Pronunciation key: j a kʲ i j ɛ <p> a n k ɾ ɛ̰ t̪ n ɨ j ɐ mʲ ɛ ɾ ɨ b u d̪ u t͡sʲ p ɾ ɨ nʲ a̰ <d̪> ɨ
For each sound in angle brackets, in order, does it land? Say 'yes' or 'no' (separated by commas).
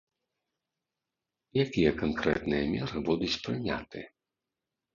no, no